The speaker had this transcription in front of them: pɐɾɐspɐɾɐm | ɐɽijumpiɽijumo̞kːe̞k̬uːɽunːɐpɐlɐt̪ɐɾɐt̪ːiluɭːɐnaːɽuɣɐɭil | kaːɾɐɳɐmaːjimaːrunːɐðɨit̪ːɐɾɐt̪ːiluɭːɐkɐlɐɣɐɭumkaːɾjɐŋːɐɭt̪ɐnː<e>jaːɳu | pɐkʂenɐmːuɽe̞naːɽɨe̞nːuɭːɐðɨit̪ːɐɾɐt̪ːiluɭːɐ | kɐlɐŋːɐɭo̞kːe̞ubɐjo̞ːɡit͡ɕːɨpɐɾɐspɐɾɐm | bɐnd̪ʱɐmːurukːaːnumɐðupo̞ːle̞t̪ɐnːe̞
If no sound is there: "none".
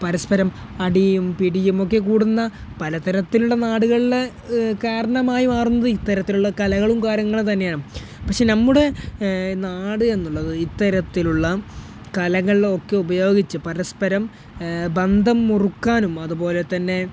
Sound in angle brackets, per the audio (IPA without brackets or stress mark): e